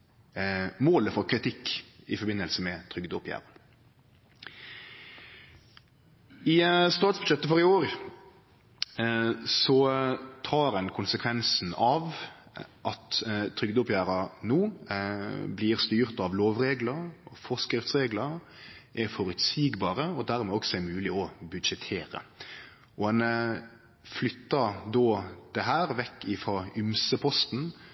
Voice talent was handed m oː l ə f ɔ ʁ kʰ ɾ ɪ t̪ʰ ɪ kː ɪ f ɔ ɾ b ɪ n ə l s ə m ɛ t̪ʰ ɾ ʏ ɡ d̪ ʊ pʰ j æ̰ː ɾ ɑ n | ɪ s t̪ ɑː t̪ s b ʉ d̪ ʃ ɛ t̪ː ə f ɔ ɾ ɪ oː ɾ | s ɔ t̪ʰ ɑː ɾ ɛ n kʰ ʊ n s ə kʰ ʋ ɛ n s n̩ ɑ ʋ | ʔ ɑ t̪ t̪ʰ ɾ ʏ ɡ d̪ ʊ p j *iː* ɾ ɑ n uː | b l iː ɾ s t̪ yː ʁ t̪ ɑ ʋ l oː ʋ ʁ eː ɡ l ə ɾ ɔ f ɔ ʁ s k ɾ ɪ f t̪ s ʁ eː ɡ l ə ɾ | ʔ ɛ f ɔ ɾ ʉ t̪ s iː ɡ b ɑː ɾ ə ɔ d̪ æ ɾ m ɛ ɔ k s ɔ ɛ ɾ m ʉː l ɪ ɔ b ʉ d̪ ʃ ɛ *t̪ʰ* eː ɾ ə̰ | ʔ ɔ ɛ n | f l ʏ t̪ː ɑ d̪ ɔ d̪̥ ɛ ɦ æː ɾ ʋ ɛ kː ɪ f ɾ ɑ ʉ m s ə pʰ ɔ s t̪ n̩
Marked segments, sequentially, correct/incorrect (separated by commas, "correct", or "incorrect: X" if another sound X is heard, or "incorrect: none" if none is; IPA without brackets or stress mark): incorrect: æː, correct